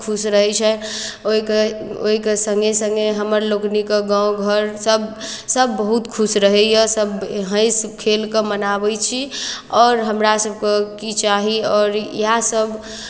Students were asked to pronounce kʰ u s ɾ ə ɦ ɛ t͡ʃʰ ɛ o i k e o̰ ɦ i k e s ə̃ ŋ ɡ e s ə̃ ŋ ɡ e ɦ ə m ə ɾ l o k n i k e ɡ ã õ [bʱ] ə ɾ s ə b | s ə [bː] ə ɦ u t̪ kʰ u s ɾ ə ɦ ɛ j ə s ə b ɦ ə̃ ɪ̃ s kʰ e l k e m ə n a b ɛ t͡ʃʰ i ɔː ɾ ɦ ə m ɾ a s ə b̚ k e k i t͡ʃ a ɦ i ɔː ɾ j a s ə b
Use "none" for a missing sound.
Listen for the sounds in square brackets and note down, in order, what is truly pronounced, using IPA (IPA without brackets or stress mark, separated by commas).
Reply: ɡʱ, bː